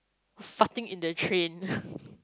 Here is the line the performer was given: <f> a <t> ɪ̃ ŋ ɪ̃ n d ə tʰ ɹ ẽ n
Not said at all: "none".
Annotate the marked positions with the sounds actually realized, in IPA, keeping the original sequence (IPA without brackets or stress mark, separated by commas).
f, t